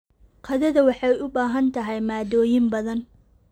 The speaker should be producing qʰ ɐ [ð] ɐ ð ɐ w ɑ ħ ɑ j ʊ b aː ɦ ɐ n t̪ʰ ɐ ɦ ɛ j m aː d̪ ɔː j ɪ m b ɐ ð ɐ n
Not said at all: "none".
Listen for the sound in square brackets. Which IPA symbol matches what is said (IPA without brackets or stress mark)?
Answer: ð